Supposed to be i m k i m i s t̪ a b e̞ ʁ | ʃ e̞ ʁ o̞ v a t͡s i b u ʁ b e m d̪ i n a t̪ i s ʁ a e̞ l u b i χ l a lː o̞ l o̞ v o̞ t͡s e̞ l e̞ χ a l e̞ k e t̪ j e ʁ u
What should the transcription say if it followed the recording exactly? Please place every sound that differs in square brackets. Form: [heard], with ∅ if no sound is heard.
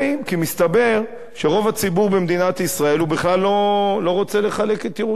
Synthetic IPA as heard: i m k i m i s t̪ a b e̞ ʁ | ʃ e̞ ʁ o̞ v a t͡s i b u ʁ b e m d̪ i n a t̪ i s ʁ a e̞ l u b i χ l a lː o̞ l o̞ [ʁ] o̞ t͡s e̞ l e̞ χ a l e̞ k e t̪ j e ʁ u